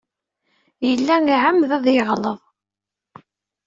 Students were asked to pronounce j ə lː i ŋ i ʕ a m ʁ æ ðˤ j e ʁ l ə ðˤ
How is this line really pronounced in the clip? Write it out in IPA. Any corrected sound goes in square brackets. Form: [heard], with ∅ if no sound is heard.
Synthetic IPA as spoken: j ə lː [æ] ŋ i ʕ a m [ð] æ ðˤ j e ʁ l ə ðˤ